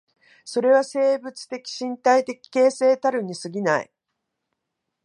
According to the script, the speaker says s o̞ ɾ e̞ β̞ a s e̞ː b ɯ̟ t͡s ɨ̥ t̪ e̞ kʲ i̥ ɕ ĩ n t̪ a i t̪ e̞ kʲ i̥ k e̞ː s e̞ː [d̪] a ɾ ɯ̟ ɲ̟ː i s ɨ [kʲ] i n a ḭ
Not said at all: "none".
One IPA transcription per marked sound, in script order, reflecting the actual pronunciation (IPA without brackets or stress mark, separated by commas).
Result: t̪, ɡʲ